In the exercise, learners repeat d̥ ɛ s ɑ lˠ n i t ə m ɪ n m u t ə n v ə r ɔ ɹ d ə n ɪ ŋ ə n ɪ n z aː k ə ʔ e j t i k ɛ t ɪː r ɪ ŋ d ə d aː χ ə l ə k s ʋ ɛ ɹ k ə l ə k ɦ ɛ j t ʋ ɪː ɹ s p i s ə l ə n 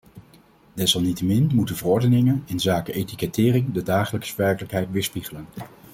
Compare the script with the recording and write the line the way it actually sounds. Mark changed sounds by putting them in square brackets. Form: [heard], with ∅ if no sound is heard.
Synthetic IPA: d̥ ɛ s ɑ lˠ n i t ə m ɪ n m u t ə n v ə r ɔ ɹ d ə n ɪ ŋ ə n ɪ n z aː k ə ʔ e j t i k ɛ t ɪː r ɪ ŋ d ə d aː χ ə l ə k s ʋ ɛ ɹ k ə l ə k ɦ ɛ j t ʋ ɪː ɹ s p i [χ] ə l ə n